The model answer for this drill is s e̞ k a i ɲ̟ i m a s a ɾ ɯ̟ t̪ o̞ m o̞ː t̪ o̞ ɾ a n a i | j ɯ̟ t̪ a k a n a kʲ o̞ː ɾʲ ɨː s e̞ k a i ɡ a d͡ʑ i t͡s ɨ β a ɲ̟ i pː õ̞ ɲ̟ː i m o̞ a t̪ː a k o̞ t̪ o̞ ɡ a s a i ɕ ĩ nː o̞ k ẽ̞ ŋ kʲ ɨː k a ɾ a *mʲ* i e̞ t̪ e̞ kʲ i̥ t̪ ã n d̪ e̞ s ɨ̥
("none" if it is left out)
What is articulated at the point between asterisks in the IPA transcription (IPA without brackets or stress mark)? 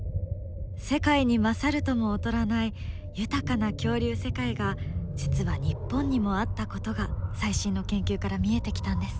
mʲ